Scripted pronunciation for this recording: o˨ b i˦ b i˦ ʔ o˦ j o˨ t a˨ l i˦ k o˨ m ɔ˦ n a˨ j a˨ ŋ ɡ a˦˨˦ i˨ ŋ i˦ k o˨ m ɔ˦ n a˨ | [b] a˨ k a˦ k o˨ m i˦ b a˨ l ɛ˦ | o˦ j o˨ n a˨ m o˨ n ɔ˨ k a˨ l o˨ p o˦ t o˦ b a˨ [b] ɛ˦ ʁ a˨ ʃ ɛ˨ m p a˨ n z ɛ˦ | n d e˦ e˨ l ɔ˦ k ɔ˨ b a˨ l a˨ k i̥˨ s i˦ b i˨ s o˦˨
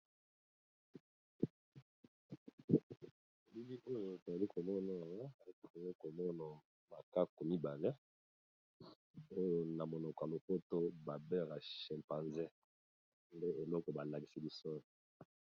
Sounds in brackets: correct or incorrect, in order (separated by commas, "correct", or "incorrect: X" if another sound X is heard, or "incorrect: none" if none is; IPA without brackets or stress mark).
incorrect: m, correct